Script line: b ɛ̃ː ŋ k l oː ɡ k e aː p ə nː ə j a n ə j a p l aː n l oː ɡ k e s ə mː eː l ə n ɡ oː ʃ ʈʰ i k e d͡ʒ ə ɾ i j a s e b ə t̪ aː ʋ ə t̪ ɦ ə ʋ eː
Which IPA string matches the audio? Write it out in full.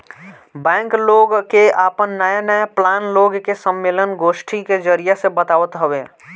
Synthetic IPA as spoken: b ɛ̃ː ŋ k l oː ɡ k e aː p ə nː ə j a n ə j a p l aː n l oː ɡ k e s ə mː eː l ə n ɡ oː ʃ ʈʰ i k e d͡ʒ ə ɾ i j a s e b ə t̪ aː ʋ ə t̪ ɦ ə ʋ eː